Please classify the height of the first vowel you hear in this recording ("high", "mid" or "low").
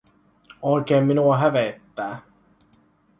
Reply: mid